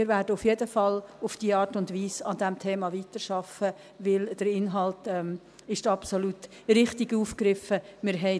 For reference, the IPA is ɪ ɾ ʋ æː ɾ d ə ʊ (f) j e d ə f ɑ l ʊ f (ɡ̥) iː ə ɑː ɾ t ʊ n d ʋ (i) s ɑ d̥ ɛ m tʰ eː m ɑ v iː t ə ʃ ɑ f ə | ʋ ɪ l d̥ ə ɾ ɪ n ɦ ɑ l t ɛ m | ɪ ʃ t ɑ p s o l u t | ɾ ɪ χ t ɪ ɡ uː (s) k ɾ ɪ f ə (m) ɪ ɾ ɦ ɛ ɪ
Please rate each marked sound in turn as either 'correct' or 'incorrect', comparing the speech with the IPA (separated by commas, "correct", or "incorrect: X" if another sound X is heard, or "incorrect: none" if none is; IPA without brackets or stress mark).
correct, incorrect: d̥, incorrect: iː, incorrect: f, correct